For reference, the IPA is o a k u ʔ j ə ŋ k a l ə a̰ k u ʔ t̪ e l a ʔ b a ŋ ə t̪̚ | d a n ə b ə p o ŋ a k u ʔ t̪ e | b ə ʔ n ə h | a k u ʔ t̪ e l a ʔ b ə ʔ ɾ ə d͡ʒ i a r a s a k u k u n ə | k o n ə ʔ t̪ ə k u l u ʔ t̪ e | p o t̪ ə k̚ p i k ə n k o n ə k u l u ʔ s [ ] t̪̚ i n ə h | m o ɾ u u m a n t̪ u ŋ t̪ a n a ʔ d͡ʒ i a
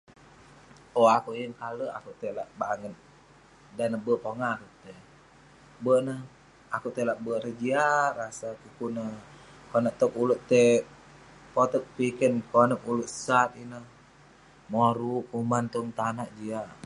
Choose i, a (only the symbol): a